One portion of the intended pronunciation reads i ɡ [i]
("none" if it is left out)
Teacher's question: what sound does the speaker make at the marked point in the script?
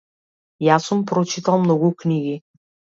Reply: i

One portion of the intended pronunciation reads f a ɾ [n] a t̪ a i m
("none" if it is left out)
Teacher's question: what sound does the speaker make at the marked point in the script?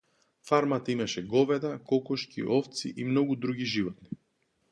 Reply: m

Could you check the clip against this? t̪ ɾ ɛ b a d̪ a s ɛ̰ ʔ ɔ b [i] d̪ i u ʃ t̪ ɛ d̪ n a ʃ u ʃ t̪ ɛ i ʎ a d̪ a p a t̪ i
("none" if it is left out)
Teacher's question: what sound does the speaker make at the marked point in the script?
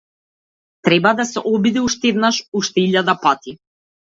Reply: i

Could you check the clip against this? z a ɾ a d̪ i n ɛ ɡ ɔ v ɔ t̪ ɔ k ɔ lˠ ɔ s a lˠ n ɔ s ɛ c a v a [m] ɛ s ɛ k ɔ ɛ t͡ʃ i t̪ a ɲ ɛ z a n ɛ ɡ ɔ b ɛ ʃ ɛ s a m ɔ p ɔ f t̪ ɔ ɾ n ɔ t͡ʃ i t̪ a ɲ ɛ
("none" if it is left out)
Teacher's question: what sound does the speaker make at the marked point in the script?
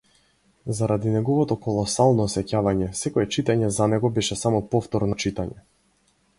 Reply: ɲ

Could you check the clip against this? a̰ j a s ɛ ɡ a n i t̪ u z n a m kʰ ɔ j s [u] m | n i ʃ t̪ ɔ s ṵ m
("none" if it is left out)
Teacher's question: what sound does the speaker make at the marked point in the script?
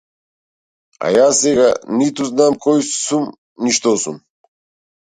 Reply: u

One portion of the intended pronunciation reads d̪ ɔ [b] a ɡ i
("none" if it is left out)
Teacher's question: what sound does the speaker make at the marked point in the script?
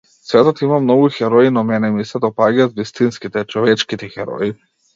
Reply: p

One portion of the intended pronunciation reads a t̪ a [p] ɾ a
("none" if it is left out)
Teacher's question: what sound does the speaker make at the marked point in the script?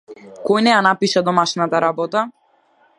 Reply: none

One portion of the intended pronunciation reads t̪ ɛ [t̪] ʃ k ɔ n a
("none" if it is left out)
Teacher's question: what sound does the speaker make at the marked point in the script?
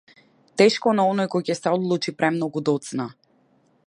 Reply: none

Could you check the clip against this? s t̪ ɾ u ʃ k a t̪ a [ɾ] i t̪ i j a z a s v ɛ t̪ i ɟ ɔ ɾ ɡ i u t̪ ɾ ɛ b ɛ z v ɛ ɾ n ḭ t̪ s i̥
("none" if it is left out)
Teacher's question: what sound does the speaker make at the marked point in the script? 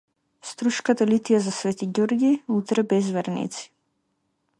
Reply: l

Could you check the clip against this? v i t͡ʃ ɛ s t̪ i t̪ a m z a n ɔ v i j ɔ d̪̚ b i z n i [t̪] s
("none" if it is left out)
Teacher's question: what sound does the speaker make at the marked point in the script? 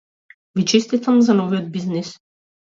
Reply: none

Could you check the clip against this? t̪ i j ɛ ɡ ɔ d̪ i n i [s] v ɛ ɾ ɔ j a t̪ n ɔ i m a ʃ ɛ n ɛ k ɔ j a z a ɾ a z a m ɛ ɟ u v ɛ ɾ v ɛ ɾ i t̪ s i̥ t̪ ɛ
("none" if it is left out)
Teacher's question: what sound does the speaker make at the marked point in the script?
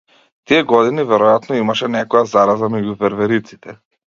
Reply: none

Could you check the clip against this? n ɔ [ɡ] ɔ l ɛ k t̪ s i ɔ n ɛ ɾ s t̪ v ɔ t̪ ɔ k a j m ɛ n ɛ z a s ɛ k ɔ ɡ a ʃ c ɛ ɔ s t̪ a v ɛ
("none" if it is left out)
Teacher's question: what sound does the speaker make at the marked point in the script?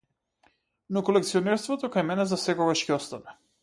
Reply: k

